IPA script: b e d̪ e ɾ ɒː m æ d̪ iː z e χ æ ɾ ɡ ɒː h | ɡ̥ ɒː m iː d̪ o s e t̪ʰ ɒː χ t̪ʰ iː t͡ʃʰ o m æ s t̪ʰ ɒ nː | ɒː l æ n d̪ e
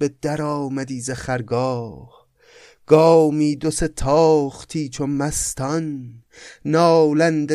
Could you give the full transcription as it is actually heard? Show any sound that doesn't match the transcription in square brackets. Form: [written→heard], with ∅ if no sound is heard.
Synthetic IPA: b e d̪ [e→æ] ɾ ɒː m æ d̪ iː z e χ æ ɾ ɡ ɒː h | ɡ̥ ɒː m iː d̪ o s e t̪ʰ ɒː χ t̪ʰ iː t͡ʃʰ o m æ s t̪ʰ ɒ nː | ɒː l æ n d̪ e